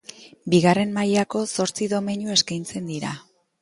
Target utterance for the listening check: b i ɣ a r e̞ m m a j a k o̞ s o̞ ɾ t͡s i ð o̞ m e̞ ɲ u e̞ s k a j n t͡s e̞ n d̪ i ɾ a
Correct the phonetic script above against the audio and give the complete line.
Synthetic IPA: b i ɣ a r e̞ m m a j a k o̞ s o̞ ɾ t͡s i ð o̞ m e̞ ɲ u e̞ s k a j n t͡s e̞ n d̪ i ɾ a